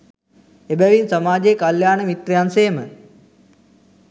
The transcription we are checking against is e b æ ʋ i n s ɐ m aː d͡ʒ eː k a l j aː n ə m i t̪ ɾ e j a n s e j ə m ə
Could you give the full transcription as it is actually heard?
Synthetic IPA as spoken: e b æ ʋ i n s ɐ m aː d͡ʒ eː k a l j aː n ə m i t̪ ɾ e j a n s e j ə m ə